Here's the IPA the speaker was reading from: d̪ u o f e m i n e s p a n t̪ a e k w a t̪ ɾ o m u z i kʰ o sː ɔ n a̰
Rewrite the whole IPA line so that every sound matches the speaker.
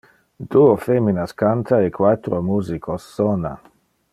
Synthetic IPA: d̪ u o f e m i n a s k a n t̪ a e k w a t̪ ɾ o m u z i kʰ o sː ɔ n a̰